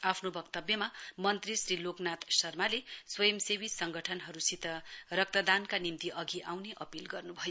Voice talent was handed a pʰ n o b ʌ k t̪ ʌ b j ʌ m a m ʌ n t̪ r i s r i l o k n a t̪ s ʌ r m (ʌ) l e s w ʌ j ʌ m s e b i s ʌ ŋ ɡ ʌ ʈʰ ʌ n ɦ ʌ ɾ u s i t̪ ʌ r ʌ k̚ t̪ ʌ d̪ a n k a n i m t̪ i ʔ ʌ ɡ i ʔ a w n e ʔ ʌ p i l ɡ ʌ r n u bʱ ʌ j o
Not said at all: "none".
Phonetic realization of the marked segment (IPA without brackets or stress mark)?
a